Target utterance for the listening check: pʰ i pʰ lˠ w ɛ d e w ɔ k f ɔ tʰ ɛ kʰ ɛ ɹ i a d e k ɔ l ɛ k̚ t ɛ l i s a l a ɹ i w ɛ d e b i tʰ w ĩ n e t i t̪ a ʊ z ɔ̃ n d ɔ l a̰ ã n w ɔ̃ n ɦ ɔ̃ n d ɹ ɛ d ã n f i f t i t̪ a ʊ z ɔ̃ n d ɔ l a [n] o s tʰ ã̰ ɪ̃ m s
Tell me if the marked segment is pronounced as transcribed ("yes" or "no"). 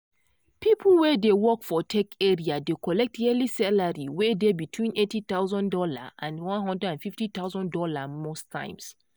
no